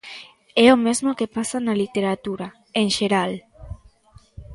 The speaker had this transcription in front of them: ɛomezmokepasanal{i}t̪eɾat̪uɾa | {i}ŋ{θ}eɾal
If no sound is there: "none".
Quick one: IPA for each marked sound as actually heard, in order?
i, e, ʃ

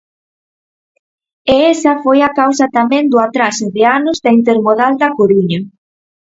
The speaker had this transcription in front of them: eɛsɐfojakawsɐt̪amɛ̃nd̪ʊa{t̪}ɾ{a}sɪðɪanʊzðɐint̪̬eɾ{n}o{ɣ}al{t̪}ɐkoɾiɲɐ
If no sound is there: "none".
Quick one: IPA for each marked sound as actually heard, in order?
t̪, a, m, ð, d̪

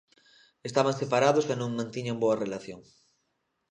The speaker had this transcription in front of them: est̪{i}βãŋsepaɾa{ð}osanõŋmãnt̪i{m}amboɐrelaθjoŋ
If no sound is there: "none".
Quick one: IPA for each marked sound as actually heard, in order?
a, ð, ɲ

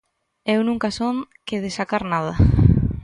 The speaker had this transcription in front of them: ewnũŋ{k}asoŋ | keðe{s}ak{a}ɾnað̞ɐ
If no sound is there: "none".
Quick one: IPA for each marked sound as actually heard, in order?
k, s, a

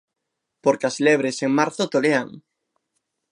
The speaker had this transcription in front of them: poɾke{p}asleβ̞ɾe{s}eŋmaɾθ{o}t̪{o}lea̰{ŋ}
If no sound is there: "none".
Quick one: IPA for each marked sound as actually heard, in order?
none, s, o, o, ŋ

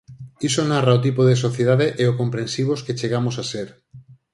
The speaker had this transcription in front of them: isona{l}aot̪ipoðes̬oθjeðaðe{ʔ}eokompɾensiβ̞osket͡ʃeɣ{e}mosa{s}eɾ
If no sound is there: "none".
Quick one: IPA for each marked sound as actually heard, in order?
r, ʔ, a, s

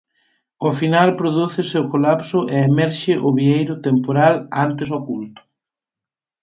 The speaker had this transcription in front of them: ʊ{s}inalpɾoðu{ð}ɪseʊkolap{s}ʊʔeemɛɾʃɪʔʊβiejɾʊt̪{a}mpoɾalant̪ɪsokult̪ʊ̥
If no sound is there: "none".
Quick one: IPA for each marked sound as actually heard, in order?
f, θ, s, e

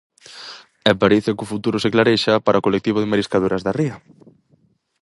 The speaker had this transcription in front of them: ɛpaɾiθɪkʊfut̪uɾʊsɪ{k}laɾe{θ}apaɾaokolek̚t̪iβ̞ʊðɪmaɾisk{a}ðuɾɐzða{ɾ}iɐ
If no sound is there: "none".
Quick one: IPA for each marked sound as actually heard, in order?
k, ʃ, a, r

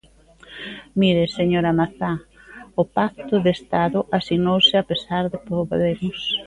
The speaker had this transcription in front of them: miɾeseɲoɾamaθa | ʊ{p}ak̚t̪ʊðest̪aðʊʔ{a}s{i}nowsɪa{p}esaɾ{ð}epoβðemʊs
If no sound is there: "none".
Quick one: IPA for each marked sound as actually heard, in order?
p, a, i, p, ð

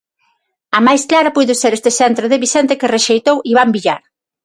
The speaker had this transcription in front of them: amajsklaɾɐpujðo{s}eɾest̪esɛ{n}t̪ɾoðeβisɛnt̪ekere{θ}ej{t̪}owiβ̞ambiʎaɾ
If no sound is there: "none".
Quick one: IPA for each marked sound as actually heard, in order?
s, n, ʃ, t̪

